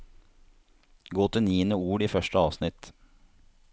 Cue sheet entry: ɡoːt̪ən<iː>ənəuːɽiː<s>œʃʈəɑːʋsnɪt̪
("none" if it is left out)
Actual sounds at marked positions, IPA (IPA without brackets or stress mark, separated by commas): iː, f